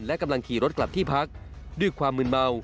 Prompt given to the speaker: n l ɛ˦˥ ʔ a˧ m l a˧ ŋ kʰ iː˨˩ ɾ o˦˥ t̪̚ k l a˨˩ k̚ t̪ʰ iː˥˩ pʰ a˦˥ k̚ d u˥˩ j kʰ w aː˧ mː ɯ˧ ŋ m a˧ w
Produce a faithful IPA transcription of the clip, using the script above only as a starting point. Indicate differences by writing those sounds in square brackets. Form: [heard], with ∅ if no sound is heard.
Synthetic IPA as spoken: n l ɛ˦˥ [k] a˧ m l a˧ ŋ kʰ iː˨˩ ɾ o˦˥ t̪̚ k l a˨˩ [p̚] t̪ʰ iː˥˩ pʰ a˦˥ k̚ d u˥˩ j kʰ w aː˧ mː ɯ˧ [n] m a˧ w

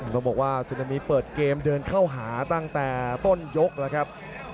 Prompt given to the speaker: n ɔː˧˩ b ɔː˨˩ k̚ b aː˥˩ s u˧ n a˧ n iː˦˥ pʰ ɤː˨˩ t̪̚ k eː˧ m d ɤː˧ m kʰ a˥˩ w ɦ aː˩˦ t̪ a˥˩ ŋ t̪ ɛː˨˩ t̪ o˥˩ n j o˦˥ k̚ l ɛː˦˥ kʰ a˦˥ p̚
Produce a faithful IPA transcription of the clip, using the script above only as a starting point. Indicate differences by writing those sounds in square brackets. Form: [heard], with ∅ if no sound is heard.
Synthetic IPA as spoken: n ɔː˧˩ b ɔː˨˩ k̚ [w] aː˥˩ s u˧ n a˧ [m] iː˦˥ [p] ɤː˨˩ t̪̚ k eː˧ m d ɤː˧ [n] kʰ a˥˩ w ɦ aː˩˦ t̪ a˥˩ ŋ t̪ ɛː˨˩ t̪ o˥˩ n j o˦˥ k̚ l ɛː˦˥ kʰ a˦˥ p̚

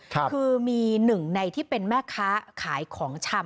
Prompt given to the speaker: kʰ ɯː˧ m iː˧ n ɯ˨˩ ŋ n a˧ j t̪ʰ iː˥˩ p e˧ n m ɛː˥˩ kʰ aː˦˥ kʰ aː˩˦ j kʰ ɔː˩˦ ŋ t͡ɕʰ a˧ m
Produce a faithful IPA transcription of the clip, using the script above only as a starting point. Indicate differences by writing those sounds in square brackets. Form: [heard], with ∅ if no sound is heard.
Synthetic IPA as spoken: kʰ ɯː˧ m iː˧ n ɯ˨˩ ŋ n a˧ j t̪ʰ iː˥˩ p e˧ n m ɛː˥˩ kʰ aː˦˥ kʰ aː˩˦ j kʰ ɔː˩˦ ŋ t͡ɕʰ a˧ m

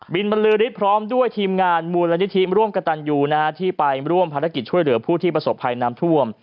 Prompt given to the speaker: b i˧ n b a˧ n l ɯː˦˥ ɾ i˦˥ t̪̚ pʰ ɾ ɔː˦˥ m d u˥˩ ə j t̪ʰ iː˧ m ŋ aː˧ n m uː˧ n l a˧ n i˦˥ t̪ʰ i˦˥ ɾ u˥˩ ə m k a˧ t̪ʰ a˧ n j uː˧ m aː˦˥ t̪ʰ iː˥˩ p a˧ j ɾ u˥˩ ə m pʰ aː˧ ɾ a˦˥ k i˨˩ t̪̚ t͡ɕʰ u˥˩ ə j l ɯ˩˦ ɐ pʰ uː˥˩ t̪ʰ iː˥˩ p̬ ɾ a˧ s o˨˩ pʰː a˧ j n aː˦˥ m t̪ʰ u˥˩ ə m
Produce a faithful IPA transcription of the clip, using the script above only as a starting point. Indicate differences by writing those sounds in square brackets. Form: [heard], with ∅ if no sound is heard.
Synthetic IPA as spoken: b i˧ n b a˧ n l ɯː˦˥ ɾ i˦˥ t̪̚ pʰ ɾ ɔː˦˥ m d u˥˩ ə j t̪ʰ iː˧ m ŋ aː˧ n m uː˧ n l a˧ n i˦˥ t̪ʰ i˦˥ ɾ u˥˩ ə m k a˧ [t̪] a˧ n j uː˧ [n] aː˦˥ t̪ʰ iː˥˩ p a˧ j ɾ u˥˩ ə m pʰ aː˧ ɾ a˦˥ k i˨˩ t̪̚ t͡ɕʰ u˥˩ ə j l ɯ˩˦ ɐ pʰ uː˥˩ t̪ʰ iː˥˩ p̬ ɾ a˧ s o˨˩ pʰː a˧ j n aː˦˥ m t̪ʰ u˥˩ ə m

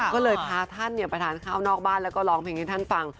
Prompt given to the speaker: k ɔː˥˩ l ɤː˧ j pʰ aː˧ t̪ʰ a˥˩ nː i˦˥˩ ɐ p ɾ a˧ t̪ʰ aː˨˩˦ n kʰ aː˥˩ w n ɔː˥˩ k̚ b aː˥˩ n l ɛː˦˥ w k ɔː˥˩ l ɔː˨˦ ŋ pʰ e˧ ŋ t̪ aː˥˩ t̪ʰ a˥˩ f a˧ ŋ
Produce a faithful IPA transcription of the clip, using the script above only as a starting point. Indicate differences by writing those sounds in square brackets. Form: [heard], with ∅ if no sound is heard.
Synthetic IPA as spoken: k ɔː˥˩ l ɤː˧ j pʰ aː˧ t̪ʰ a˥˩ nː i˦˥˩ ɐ p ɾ a˧ t̪ʰ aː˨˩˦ n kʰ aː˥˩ w n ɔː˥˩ k̚ b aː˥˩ n l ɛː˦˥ w k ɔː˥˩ l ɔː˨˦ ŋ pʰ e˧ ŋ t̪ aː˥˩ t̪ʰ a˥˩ f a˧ ŋ

